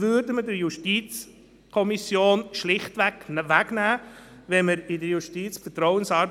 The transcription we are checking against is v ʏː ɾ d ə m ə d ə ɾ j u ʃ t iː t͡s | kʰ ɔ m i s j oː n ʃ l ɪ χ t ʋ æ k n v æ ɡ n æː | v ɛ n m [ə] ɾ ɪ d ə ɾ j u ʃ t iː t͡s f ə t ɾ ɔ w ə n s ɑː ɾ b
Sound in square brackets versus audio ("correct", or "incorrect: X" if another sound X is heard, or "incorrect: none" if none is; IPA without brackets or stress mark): correct